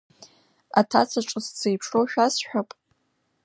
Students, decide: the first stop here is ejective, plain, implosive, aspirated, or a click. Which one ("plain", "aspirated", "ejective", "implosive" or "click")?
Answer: aspirated